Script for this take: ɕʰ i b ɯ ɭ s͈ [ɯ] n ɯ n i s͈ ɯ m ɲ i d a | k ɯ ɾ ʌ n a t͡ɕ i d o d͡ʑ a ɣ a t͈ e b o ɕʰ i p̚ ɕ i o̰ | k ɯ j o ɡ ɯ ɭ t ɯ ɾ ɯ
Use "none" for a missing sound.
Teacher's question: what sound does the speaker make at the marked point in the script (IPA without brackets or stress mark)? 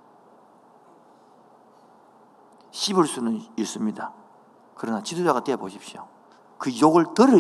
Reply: u